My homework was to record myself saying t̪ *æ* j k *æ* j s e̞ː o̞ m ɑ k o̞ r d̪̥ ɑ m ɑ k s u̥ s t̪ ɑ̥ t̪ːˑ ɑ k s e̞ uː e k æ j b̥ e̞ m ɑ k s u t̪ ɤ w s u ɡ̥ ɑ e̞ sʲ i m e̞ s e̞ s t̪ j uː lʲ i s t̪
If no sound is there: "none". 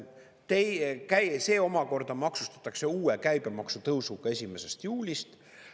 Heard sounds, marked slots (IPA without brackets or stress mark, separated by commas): e, æ